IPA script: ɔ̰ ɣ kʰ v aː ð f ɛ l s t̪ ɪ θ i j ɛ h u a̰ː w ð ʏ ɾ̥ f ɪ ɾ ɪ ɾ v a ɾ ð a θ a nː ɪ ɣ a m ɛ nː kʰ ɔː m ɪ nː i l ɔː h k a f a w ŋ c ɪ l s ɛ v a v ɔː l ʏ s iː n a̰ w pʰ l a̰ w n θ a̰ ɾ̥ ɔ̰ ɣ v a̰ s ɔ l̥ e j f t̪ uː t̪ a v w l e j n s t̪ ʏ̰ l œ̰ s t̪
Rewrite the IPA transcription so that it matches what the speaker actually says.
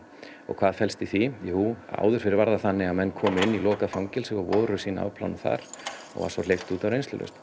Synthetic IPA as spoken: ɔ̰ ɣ kʰ v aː ð f ɛ l s t̪ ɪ θ i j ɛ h u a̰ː w ð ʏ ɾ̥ f ɪ ɾ ɪ ɾ v a ɾ ð a θ a nː ɪ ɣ a m ɛ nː kʰ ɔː m ɪ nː i l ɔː k a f a w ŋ c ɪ l s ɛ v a v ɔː ɾ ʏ s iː n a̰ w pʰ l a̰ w n θ a̰ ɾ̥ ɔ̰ ɣ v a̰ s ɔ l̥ e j f t̪ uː t̪ a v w ɾ e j n s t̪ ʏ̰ l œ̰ s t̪